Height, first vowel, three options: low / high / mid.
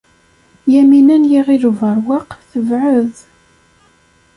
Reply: low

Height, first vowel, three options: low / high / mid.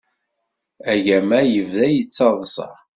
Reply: low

